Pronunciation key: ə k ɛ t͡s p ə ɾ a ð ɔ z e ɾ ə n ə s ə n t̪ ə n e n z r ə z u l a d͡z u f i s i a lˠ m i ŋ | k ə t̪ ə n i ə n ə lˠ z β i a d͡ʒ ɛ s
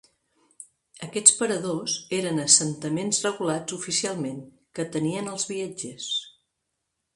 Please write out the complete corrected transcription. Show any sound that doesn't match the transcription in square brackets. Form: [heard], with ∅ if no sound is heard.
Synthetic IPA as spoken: ə k ɛ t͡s p ə ɾ [ə] ð [o] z e ɾ ə n ə s ə n t̪ ə [m] e n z r ə [ɣ] u l a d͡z u f i s i a lˠ m [e] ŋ | k ə t̪ ə n i ə n ə lˠ z β i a d͡ʒ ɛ s